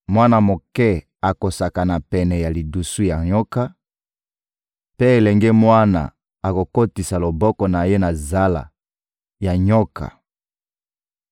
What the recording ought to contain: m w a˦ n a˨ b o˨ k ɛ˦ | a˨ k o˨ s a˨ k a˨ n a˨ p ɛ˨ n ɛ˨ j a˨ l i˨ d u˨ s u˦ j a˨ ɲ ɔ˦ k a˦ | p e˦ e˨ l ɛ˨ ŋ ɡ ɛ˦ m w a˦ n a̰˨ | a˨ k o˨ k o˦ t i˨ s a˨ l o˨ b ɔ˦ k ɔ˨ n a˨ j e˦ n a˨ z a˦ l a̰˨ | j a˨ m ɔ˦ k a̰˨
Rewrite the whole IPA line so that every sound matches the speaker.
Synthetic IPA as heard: m w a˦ n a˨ m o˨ k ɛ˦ | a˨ k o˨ s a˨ k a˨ n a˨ p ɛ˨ n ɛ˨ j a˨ l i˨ d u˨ s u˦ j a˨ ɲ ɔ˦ k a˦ | p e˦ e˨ l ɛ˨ ŋ ɡ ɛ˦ m w a˦ n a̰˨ | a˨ k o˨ k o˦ t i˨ s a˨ l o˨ b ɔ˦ k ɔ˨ n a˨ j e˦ n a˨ z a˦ l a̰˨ | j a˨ ɲ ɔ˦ k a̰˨